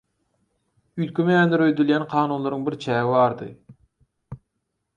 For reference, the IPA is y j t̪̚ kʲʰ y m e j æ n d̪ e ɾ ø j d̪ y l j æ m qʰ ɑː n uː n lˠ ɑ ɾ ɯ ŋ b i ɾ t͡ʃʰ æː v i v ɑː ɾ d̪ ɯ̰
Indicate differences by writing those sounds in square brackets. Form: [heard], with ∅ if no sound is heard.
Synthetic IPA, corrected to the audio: y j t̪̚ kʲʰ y m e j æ n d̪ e ɾ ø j d̪ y l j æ [n] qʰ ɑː n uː n lˠ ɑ ɾ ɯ ŋ b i ɾ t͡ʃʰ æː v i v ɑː ɾ d̪ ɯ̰